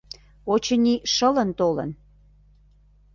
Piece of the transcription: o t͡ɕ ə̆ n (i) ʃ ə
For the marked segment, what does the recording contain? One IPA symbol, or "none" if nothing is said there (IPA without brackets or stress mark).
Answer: i